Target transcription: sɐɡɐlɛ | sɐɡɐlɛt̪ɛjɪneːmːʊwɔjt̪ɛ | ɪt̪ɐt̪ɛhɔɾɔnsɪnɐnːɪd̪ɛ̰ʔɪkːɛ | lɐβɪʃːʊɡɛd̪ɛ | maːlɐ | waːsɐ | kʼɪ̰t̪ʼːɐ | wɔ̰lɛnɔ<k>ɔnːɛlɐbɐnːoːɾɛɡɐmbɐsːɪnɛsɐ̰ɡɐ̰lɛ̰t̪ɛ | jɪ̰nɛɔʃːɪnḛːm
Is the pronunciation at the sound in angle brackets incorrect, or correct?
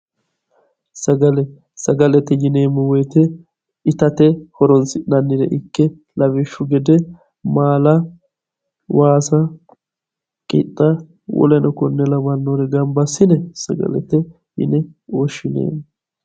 correct